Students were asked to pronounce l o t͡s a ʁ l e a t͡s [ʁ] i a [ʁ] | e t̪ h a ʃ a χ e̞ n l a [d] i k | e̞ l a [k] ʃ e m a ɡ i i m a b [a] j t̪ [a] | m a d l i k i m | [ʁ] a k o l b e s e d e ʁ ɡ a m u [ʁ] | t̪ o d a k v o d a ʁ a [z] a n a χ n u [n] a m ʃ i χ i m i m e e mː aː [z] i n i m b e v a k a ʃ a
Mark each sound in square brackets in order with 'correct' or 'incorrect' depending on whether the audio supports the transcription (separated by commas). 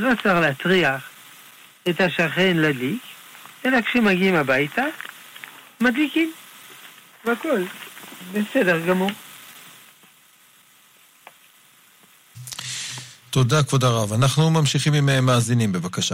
correct, incorrect, correct, correct, correct, correct, incorrect, correct, incorrect, incorrect, correct